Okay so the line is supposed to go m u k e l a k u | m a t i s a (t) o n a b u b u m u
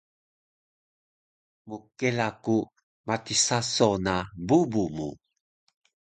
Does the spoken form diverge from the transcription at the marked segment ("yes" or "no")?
yes